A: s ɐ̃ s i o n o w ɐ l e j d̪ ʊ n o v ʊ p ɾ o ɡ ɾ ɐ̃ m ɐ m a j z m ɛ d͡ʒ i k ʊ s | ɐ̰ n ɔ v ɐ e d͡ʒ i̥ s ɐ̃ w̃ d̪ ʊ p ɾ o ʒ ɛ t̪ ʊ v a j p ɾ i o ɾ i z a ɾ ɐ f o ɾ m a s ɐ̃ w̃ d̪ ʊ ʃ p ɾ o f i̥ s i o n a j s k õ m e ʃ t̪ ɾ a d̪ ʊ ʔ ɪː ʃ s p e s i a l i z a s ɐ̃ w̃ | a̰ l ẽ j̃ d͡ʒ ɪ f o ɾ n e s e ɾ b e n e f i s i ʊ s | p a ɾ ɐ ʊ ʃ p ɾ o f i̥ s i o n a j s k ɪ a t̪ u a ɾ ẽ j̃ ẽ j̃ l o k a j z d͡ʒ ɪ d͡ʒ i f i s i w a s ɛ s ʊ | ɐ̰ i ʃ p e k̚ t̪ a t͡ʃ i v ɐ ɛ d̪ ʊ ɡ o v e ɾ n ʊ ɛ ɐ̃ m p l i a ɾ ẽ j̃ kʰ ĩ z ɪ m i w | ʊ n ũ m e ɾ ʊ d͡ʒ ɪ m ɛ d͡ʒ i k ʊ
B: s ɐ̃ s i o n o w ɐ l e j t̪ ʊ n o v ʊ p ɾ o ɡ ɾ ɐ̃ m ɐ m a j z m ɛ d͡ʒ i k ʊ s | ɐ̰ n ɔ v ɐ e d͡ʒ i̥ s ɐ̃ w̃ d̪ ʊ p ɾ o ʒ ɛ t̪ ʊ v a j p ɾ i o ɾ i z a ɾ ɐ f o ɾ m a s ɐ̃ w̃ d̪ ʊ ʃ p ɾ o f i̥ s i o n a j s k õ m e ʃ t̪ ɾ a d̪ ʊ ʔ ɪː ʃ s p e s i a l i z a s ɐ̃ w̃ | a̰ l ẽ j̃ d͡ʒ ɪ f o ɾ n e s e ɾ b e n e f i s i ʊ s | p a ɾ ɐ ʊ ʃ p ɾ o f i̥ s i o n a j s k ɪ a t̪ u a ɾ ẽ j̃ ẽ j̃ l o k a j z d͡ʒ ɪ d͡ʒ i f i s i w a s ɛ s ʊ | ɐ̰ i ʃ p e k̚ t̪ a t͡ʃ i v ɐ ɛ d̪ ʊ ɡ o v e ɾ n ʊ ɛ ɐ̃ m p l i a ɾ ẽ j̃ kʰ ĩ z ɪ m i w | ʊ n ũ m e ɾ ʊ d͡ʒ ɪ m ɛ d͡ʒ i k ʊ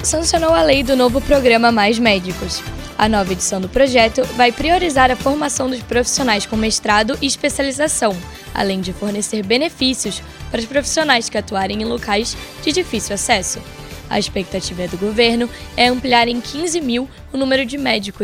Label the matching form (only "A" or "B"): A